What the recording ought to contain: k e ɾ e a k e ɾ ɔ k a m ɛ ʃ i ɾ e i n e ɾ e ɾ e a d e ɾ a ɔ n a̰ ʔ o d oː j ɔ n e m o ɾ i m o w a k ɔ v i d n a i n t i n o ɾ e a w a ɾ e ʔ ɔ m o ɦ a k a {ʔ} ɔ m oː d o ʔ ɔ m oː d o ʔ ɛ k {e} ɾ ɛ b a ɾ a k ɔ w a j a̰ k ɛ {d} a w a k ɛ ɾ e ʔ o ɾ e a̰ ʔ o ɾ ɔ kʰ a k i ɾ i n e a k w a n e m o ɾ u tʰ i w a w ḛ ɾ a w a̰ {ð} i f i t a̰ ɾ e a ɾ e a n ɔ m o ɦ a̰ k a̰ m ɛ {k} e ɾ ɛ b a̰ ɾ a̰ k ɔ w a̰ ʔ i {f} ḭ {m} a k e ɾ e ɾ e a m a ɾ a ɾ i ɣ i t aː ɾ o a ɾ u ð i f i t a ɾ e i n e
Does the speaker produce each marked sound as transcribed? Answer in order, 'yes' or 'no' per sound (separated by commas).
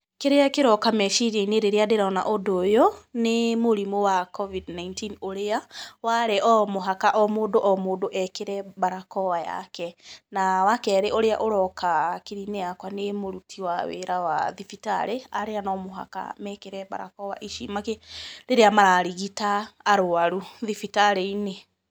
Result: yes, yes, no, yes, yes, no, yes